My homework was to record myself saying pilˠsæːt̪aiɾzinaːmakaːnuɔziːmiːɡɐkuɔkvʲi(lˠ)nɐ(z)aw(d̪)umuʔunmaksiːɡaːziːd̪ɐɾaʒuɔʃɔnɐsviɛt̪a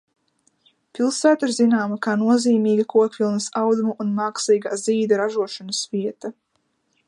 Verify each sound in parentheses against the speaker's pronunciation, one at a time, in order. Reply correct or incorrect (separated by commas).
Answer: correct, incorrect, correct